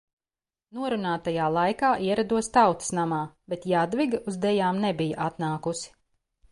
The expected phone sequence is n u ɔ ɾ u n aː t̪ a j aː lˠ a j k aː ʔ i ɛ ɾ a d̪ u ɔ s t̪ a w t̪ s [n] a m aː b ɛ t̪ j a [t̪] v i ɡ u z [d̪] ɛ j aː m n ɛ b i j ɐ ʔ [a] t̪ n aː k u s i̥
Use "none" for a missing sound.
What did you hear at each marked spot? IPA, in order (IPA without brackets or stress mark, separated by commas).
n, d̪, d̪, a